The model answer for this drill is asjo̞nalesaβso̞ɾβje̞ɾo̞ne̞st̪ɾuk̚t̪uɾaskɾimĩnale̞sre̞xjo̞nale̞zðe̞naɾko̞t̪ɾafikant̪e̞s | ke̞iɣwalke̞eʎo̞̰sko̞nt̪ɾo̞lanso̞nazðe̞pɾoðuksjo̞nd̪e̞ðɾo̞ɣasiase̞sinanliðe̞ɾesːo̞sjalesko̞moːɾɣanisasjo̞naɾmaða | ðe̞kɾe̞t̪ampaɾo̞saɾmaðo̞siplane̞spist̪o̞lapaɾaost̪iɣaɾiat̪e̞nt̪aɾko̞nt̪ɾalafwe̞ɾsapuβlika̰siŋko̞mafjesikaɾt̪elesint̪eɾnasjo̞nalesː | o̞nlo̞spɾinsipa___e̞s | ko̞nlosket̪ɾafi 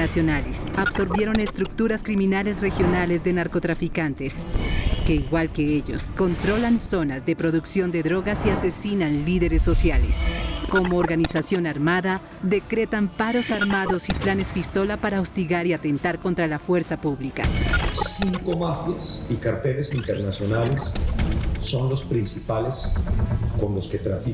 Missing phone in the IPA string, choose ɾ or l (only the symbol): l